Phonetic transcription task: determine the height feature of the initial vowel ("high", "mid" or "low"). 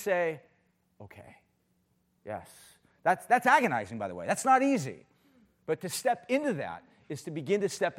mid